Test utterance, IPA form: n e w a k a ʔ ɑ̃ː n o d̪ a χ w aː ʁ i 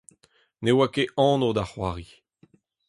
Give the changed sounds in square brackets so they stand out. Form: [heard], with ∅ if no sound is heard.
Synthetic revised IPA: n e w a k [e] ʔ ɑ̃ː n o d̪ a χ w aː ʁ i